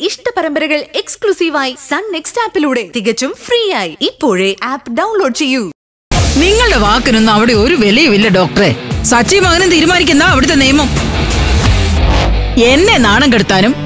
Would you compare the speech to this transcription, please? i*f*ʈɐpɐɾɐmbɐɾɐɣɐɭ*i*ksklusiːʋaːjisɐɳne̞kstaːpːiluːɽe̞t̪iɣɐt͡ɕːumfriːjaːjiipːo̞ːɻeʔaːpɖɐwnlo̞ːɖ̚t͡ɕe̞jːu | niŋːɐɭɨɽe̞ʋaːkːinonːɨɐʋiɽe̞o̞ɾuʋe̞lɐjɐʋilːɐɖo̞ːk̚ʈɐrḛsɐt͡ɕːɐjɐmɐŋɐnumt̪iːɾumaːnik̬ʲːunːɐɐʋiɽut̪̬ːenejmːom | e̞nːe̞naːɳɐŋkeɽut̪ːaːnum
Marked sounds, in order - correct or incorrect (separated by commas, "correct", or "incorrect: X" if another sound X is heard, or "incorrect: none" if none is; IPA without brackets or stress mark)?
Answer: incorrect: ʂ, incorrect: e